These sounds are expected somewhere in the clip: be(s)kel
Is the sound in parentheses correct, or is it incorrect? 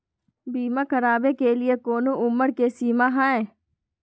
incorrect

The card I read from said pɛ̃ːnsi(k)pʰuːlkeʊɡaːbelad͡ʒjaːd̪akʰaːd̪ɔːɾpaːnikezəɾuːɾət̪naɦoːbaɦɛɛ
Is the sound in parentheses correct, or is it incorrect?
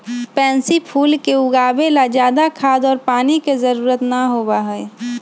incorrect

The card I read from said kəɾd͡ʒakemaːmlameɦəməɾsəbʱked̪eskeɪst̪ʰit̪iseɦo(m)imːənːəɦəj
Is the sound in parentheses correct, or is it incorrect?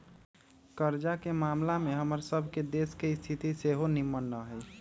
incorrect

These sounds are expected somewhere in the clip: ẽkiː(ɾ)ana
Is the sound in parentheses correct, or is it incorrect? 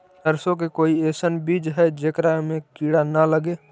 incorrect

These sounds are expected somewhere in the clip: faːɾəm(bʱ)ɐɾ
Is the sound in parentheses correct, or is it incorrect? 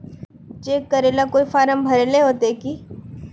correct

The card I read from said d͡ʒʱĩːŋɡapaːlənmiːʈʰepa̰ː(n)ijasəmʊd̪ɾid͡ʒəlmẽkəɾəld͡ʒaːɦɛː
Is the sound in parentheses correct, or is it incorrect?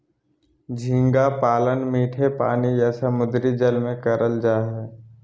correct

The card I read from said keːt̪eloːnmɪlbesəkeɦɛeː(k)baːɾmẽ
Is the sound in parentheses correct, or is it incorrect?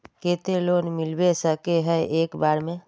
correct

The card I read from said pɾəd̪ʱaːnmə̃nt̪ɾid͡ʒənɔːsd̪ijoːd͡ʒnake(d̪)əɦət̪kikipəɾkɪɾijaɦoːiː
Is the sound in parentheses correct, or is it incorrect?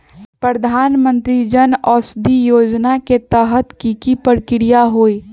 incorrect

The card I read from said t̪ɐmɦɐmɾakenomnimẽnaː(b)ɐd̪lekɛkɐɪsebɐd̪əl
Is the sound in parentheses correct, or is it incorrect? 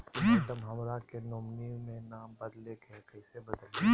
correct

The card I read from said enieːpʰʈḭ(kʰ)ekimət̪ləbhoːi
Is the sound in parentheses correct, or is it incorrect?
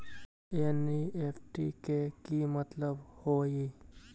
incorrect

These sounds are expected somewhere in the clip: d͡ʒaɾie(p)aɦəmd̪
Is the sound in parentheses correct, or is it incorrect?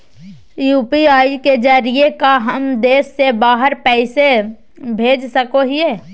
incorrect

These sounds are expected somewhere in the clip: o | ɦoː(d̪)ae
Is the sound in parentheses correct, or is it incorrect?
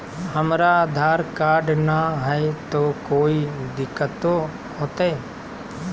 incorrect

